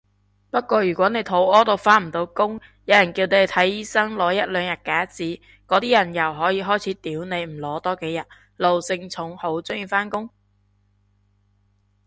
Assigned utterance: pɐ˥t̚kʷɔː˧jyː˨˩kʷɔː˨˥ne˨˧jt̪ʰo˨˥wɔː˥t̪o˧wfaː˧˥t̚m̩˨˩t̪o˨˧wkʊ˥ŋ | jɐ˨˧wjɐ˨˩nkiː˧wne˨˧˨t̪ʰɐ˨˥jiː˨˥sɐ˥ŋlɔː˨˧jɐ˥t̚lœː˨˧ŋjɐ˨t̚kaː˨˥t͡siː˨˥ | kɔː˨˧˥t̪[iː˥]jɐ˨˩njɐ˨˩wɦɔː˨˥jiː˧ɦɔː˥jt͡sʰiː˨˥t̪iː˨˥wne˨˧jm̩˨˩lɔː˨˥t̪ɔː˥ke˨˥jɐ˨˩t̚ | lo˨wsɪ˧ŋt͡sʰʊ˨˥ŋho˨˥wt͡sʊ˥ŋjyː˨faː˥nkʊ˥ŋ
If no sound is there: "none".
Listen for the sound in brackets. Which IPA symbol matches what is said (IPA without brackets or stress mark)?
iː˥